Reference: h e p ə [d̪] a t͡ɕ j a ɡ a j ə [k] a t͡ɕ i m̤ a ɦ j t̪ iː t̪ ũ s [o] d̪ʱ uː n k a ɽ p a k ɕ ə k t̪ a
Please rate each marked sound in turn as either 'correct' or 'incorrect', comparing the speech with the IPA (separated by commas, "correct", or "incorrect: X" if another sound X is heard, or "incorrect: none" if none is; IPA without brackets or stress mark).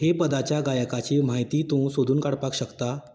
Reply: correct, correct, correct